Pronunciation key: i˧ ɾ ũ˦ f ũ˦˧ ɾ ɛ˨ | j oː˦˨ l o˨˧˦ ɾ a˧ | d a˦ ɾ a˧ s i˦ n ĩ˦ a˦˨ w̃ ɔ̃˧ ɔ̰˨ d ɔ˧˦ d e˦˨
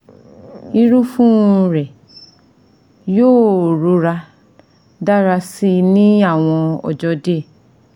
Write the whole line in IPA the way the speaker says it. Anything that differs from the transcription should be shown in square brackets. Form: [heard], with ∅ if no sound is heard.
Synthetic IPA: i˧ ɾ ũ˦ f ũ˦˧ ɾ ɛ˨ | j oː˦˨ [ɾ] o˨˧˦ ɾ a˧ | d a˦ ɾ a˧ s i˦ n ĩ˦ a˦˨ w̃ ɔ̃˧ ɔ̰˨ [d͡ʒ] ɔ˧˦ d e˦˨